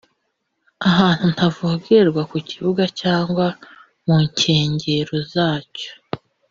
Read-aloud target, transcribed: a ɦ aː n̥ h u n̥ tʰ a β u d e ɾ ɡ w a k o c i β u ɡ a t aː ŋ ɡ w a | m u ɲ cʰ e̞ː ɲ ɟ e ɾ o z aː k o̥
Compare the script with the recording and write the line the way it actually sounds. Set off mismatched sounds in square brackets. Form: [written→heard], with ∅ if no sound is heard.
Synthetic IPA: a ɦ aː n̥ h u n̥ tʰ a [β→v] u [d→ɡ] e ɾ ɡ w a k [o→u] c i β u ɡ a [t→c] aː ŋ ɡ w a | m u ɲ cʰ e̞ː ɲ ɟ e ɾ o z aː [k→c] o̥